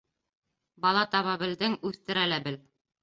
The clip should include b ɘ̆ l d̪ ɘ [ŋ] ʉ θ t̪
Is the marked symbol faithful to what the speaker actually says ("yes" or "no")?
yes